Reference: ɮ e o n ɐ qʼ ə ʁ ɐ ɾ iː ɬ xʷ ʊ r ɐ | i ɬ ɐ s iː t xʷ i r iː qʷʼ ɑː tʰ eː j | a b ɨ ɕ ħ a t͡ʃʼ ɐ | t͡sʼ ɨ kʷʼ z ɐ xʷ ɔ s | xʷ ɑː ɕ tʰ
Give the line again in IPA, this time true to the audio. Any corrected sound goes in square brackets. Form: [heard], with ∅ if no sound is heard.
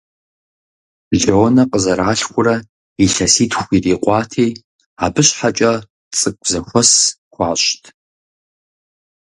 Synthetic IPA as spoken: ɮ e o n ɐ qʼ ə [z] ɐ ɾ [aː] ɬ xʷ ʊ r ɐ | i ɬ ɐ s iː t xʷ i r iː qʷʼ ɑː tʰ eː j | a b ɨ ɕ ħ a t͡ʃʼ ɐ | t͡sʼ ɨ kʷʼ z ɐ xʷ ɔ s | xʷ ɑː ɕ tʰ

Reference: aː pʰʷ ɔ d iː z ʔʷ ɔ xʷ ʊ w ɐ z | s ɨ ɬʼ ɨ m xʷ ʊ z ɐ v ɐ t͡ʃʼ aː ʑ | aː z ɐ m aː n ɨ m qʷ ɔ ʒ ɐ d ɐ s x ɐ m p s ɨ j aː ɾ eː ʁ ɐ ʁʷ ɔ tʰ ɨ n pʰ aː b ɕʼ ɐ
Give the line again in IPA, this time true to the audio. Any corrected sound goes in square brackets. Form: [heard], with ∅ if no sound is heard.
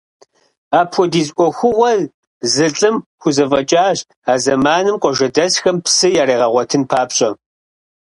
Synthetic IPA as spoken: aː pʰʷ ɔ d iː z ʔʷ ɔ xʷ ʊ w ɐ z | [z] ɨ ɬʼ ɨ m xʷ ʊ z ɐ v ɐ t͡ʃʼ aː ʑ | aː z ɐ m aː n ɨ m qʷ ɔ ʒ ɐ d ɐ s x ɐ m p s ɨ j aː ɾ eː ʁ ɐ ʁʷ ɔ tʰ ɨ n pʰ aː [p] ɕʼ ɐ

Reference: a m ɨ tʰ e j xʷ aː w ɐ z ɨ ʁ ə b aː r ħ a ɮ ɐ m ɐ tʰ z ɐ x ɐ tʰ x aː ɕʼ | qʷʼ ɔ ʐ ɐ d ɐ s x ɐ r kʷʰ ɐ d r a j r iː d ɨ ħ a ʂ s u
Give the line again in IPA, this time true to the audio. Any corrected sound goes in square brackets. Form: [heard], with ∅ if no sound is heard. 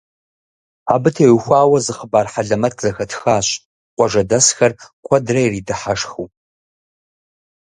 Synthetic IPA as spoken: a [b] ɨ tʰ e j xʷ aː w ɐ z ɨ [χ] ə b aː r ħ a ɮ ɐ m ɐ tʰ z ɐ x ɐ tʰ x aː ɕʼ | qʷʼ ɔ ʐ ɐ d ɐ s x ɐ r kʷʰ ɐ d r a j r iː d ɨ ħ a ʂ [x] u

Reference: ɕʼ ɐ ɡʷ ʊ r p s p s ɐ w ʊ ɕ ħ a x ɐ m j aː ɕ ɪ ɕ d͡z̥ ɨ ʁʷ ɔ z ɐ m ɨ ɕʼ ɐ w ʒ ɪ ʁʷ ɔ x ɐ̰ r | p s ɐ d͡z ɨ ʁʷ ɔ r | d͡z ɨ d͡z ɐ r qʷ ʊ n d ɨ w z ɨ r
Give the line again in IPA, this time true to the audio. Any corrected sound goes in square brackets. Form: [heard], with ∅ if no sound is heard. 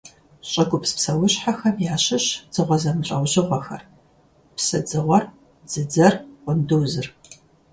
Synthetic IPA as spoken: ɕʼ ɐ ɡʷ ʊ [∅] p s p s ɐ w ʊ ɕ ħ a x ɐ m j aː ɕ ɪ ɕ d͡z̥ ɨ ʁʷ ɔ z ɐ m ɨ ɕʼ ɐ w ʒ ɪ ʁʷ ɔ x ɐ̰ r | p s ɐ d͡z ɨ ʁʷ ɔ r | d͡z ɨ d͡z ɐ r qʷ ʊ n d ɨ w z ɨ r

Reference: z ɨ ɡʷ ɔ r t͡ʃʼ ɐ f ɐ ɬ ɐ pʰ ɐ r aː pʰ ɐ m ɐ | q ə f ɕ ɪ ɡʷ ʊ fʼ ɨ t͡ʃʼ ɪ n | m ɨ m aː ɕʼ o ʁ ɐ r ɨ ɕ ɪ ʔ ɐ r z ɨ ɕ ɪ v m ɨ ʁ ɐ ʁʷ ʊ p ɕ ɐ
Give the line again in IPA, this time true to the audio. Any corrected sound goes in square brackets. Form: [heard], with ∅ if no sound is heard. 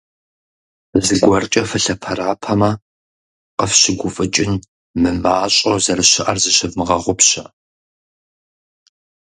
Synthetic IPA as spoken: z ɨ ɡʷ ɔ r t͡ʃʼ ɐ f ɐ ɬ ɐ pʰ ɐ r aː pʰ ɐ m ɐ | q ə f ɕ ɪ ɡʷ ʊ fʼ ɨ t͡ʃʼ ɪ n | m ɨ m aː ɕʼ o [z] ɐ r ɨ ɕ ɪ ʔ ɐ r z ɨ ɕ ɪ v m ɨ ʁ ɐ ʁʷ ʊ p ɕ ɐ

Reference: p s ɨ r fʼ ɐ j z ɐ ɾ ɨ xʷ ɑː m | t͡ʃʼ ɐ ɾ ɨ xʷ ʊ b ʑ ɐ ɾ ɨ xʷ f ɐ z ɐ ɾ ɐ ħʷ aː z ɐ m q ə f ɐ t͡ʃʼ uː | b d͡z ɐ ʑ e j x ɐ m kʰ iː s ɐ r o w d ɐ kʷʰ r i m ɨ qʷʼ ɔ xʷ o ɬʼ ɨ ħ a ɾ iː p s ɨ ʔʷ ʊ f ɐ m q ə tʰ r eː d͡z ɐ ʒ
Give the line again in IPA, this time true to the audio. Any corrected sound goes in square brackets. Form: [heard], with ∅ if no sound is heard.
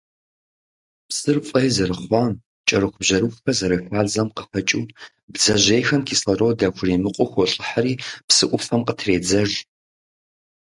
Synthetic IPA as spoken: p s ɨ r fʼ ɐ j z ɐ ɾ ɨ [χʷ] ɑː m | t͡ʃʼ ɐ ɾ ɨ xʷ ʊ b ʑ ɐ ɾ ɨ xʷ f ɐ z ɐ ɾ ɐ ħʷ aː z ɐ m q ə f ɐ t͡ʃʼ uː | b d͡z ɐ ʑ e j x ɐ m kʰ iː s ɐ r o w d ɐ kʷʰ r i m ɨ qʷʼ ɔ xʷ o ɬʼ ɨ ħ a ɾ iː p s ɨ ʔʷ ʊ f ɐ m q ə tʰ r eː d͡z ɐ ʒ

